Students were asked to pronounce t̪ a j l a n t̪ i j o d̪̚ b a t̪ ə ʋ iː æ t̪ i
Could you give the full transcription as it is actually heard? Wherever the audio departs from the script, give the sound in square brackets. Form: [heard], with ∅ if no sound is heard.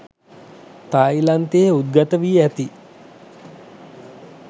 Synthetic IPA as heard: t̪ a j l a n t̪ [e] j [u] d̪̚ [ɡ] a t̪ ə ʋ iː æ t̪ i